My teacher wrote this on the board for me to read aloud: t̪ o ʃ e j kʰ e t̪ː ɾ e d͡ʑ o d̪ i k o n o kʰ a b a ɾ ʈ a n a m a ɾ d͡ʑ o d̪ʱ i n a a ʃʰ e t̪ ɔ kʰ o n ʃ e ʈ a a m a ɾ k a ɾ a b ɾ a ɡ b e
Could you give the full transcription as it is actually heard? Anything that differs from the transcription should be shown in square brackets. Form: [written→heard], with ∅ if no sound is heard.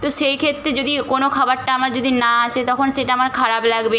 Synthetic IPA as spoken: t̪ o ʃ e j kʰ e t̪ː ɾ e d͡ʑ o d̪ i k o n o kʰ a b a ɾ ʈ a [n→∅] a m a ɾ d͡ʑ o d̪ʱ i n a a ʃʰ e t̪ ɔ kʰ o n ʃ e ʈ a a m a ɾ [k→kʰ] a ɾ a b [ɾ→l] a ɡ b e